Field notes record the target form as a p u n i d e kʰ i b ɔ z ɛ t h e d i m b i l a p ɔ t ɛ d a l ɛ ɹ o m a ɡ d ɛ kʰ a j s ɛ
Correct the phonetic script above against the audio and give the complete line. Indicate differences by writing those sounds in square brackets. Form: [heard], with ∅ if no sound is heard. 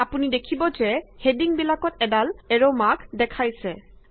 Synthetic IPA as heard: a p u n i d e kʰ i b ɔ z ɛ [∅] h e d i [ŋ] b i l a [k] ɔ t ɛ d a l ɛ ɹ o m a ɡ d ɛ kʰ a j s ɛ